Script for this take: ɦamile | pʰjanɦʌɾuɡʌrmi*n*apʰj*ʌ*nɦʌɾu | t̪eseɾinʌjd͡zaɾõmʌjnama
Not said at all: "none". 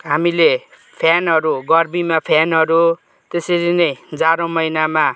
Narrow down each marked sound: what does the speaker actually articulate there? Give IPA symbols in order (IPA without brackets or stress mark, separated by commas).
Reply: m, a